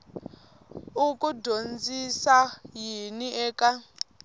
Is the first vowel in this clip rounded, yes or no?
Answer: yes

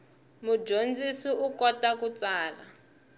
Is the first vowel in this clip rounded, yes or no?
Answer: yes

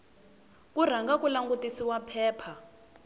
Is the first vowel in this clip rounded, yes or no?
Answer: yes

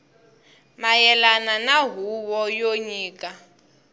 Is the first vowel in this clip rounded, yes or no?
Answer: no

